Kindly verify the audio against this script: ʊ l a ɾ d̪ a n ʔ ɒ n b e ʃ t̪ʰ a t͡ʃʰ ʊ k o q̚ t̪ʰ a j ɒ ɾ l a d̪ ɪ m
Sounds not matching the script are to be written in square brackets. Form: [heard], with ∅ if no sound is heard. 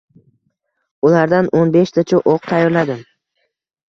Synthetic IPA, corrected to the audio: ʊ l a ɾ d̪ a n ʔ [o] n b e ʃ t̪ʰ a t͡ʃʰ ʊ [ʔ] o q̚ t̪ʰ a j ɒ ɾ l a d̪ ɪ m